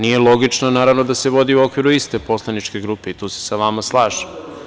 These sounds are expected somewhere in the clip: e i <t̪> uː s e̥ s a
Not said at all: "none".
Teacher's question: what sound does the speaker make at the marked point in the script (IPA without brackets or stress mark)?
t̪